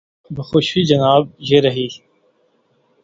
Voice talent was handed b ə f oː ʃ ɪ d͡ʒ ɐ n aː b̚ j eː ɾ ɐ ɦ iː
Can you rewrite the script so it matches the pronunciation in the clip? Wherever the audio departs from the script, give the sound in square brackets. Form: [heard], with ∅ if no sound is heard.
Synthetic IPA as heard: b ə [x] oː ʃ [i] d͡ʒ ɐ n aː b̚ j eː ɾ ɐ ɦ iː